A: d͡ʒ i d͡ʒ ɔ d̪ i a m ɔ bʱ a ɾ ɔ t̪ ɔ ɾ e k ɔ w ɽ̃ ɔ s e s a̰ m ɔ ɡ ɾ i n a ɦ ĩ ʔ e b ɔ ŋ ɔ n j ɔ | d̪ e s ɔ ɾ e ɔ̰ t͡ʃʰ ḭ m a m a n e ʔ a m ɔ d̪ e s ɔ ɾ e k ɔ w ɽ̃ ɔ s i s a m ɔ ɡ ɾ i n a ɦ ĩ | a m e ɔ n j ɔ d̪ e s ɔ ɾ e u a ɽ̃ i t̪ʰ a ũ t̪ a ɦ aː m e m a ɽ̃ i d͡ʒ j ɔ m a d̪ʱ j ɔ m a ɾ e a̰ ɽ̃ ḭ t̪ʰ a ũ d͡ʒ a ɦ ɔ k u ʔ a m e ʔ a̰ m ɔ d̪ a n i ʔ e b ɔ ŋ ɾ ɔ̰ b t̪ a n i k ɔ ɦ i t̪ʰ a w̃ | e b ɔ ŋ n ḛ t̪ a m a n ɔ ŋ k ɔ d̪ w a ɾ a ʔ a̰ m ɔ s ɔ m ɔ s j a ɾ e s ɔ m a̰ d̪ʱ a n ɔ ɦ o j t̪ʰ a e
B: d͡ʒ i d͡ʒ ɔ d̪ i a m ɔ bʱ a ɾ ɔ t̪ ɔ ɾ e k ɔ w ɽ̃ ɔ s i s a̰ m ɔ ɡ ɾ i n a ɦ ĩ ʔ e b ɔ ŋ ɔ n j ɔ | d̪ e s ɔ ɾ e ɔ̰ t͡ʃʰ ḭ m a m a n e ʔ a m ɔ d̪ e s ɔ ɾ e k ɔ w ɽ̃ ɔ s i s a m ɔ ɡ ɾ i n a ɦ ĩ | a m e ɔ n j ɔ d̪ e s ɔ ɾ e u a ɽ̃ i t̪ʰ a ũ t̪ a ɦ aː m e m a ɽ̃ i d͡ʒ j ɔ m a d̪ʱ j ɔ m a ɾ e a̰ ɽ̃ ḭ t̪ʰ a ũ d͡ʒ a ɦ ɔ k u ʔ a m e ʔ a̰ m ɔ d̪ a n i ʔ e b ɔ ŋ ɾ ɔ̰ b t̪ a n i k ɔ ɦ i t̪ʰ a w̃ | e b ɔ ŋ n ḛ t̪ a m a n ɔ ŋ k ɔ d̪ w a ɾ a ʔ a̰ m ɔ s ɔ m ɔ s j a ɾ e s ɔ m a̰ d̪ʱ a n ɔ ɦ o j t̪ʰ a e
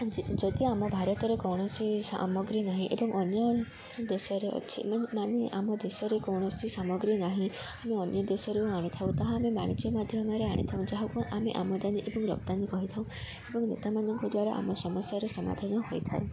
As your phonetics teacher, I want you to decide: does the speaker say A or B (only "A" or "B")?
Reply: B